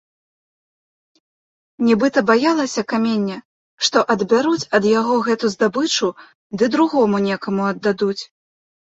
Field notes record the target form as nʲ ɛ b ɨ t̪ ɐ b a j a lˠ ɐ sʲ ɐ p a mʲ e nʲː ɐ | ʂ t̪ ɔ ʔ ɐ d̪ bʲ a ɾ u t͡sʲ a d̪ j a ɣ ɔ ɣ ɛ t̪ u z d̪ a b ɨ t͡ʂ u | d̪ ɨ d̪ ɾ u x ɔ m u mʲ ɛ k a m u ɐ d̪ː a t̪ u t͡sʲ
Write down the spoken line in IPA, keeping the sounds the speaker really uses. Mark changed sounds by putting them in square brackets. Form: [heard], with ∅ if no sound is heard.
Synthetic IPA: nʲ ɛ b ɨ t̪ ɐ b a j a lˠ ɐ sʲ ɐ [k] a mʲ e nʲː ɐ | ʂ t̪ ɔ ʔ ɐ d̪ bʲ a ɾ u t͡sʲ [ɐ] d̪ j a ɣ ɔ ɣ ɛ t̪ u z d̪ a b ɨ t͡ʂ u | d̪ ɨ d̪ ɾ u [ɣ] ɔ m u [nʲ] ɛ k [ɐ] m u ɐ d̪ː a [d̪] u t͡sʲ